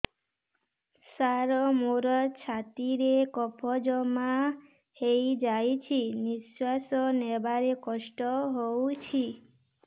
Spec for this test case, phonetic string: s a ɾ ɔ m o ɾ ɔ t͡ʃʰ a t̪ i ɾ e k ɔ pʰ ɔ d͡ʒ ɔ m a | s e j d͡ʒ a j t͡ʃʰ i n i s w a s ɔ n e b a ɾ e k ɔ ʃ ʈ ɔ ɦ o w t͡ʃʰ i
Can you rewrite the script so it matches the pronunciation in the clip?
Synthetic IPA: s a ɾ ɔ m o ɾ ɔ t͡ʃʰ a t̪ i ɾ e k ɔ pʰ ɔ d͡ʒ ɔ m a | h e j d͡ʒ a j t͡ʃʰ i n i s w a s ɔ n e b a ɾ e k ɔ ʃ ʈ ɔ ɦ o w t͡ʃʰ i

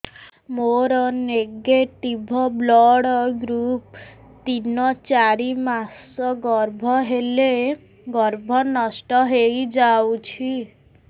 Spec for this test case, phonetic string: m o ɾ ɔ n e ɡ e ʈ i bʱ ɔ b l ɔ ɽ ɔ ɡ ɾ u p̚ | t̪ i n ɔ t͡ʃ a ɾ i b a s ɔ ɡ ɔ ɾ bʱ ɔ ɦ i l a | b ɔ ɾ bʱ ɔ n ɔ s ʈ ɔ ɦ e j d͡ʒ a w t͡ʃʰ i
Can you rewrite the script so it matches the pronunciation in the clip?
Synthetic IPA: m o ɾ ɔ n e ɡ e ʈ i bʱ ɔ b l ɔ ɽ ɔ ɡ ɾ u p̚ | t̪ i n ɔ t͡ʃ a ɾ i m a s ɔ ɡ ɔ ɾ bʱ ɔ ɦ e l e | ɡ ɔ ɾ bʱ ɔ n ɔ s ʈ ɔ ɦ e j d͡ʒ a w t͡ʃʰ i

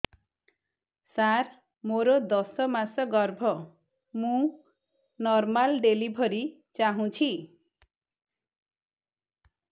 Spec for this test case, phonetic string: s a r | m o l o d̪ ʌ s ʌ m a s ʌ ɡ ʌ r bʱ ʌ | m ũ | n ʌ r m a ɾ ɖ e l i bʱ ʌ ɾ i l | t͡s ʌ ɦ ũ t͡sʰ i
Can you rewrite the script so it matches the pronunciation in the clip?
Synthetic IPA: s a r | m o ɾ o d̪ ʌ s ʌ m a s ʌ ɡ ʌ r bʱ ʌ | m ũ | n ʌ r m a l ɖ e l i bʱ ʌ ɾ i | t͡s a ɦ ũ t͡sʰ i

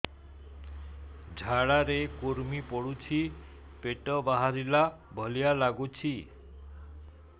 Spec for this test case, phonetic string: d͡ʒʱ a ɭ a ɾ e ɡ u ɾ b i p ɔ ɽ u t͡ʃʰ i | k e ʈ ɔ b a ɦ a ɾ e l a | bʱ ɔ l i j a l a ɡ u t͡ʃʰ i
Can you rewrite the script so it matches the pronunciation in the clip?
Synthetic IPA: d͡ʒʱ a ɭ a ɾ e k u ɾ m i p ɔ ɽ u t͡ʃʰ i | p e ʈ ɔ b a ɦ a ɾ i l a | bʱ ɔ l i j a l a ɡ u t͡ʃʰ i

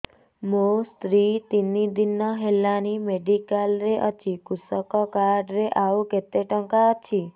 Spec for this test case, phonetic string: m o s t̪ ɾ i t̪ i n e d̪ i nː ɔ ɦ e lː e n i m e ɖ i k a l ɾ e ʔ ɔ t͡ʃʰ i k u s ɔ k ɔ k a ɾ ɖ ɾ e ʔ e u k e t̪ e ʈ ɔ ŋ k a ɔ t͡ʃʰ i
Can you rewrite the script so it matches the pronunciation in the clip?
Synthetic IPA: m o s t̪ ɾ i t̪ i n i d̪ i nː ɔ ɦ e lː a n i m e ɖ i k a l ɾ e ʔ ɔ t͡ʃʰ i k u s ɔ k ɔ k a ɾ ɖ ɾ e ʔ a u k e t̪ e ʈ ɔ ŋ k a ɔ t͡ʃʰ i

